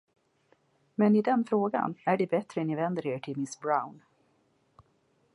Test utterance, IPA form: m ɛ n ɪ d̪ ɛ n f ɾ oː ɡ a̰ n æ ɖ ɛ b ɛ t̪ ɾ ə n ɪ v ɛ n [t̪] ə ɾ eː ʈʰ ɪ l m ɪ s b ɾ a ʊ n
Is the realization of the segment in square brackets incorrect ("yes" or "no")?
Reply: yes